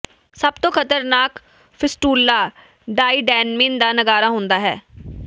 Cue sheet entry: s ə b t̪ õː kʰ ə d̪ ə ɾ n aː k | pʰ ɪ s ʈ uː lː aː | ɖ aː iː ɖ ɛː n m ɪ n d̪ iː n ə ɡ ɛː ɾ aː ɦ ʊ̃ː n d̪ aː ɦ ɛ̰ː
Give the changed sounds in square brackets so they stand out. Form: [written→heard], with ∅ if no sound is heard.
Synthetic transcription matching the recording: s ə b t̪ õː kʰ ə [d̪→t̪] ə ɾ n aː k | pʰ ɪ s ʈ uː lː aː | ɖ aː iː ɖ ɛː n m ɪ n d̪ [iː→aː] n ə ɡ [ɛː→aː] ɾ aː ɦ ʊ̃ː n d̪ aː ɦ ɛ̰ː

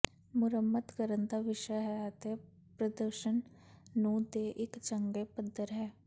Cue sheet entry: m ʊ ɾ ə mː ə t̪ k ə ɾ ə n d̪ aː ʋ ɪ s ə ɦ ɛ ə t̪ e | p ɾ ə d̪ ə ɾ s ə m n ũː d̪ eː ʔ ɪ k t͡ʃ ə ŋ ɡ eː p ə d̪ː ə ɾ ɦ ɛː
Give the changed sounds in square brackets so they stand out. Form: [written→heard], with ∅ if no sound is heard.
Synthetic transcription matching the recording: m ʊ ɾ ə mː ə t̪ k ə ɾ ə n d̪ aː ʋ ɪ [s→ʃ] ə ɦ ɛ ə t̪ e | p ɾ ə d̪ ə ɾ [s→ʃ] ə [m→n] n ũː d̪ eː ʔ ɪ k t͡ʃ ə ŋ ɡ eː p ə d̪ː ə ɾ ɦ ɛː

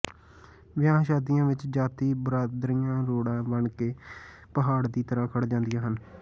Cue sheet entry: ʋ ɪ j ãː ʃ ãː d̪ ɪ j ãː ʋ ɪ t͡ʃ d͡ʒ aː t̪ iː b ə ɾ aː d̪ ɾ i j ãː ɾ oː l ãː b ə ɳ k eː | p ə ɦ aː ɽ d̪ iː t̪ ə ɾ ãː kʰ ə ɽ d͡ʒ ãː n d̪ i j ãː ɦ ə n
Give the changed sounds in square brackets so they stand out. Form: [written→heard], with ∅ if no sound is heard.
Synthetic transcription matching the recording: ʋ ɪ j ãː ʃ [ãː→aː] d̪ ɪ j ãː ʋ ɪ t͡ʃ d͡ʒ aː t̪ iː b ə ɾ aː d̪ ɾ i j ãː ɾ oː [l→ɽ] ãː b ə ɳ k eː | p ə ɦ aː ɽ d̪ iː t̪ ə ɾ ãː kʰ ə ɽ d͡ʒ ãː n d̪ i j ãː ɦ ə n

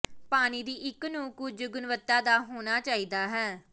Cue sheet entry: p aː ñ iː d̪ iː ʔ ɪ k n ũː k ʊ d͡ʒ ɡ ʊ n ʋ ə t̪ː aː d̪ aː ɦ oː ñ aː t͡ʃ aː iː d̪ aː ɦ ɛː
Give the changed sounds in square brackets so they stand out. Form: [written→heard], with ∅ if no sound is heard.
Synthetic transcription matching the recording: p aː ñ iː d̪ iː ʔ ɪ k n ũː k ʊ d͡ʒ ɡ ʊ n ʋ ə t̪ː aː d̪ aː ɦ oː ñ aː t͡ʃ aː iː d̪ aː ɦ ɛː

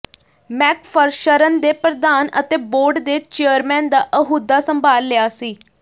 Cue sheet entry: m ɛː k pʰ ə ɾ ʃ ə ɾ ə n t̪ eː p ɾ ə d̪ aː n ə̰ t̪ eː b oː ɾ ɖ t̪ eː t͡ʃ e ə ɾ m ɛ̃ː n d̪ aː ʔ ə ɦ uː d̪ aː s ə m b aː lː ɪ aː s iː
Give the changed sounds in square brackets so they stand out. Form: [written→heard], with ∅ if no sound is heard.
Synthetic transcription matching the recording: m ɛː k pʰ ə ɾ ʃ ə ɾ ə n [t̪→d̪] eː p ɾ ə d̪ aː n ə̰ t̪ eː b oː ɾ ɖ [t̪→d̪] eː t͡ʃ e ə ɾ m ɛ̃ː n d̪ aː ʔ ə ɦ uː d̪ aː s ə m b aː lː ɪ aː s iː

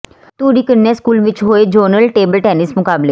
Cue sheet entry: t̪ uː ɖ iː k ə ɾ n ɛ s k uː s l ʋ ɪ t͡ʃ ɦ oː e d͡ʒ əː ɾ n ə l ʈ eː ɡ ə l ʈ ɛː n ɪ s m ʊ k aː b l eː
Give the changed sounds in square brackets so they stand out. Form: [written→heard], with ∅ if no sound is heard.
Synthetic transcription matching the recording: t̪ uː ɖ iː k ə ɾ n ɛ s k uː [s→∅] l ʋ ɪ t͡ʃ ɦ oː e d͡ʒ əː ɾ n ə l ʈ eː [ɡ→b] ə l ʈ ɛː n ɪ s m ʊ k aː b l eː

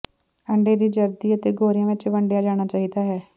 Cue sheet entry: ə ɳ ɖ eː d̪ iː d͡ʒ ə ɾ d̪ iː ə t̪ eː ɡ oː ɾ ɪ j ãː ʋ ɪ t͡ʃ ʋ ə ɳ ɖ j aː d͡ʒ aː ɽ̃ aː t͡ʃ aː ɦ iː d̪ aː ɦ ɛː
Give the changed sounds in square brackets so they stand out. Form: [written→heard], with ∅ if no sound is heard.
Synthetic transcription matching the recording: ə ɳ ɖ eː d̪ iː d͡ʒ ə ɾ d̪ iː ə t̪ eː ɡ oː ɾ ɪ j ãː ʋ ɪ t͡ʃ ʋ ə ɳ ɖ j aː d͡ʒ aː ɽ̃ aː t͡ʃ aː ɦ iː d̪ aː ɦ ɛː

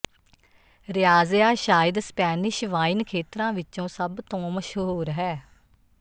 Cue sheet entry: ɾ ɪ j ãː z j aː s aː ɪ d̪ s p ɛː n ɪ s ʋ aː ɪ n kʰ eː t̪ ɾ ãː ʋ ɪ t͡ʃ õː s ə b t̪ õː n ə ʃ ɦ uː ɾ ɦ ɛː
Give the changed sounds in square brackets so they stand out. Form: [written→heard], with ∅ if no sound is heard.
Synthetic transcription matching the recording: ɾ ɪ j [ãː→aː] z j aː [s→ʃ] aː ɪ d̪ s p ɛː n ɪ [s→ʃ] ʋ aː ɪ n kʰ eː t̪ ɾ ãː ʋ ɪ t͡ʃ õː s ə b t̪ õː [n→m] ə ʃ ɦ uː ɾ ɦ ɛː

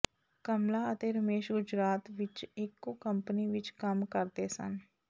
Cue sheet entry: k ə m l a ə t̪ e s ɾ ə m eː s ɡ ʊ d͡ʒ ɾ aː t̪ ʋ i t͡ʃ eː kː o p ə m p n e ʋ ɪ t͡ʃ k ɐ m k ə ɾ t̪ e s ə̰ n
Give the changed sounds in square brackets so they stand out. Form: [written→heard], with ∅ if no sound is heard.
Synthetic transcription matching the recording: k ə m l a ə t̪ e [s→∅] ɾ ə m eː [s→ʃ] ɡ ʊ d͡ʒ ɾ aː t̪ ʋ [i→ɪ] t͡ʃ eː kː o [p→k] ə m p n [e→i] ʋ ɪ t͡ʃ k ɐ m k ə ɾ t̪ e s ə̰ n

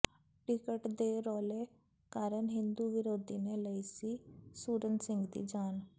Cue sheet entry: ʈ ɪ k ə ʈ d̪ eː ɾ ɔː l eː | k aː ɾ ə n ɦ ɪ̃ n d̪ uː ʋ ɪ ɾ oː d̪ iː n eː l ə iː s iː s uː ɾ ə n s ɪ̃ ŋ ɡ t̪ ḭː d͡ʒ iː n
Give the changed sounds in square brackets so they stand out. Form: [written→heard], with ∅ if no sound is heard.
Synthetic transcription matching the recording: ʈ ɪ k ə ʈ d̪ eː ɾ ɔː l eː | k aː ɾ ə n ɦ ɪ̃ n d̪ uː ʋ ɪ ɾ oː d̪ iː n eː l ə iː s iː s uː ɾ ə n s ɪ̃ ŋ ɡ [t̪→d̪] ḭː d͡ʒ [iː→aː] n

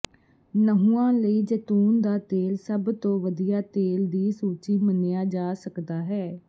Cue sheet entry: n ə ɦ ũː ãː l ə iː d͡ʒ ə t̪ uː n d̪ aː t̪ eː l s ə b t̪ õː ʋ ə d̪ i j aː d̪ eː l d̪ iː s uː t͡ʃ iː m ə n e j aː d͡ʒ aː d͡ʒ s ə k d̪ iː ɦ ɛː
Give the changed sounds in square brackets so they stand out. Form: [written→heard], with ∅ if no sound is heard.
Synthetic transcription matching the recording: n ə ɦ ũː ãː l ə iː d͡ʒ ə t̪ uː n d̪ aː t̪ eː l s ə b t̪ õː ʋ ə d̪ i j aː [d̪→t̪] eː l d̪ iː s uː t͡ʃ iː m ə n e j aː d͡ʒ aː [d͡ʒ→∅] s ə k d̪ [iː→aː] ɦ ɛː

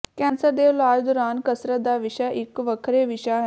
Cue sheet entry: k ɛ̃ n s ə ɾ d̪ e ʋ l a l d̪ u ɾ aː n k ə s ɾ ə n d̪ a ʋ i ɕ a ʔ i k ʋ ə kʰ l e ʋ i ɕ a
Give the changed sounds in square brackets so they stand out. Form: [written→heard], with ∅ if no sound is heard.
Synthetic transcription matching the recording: k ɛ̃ n s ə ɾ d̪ e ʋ l a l d̪ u ɾ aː n k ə s ɾ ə [n→∅] d̪ a ʋ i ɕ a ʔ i k ʋ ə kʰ [l→ɾ] e ʋ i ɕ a

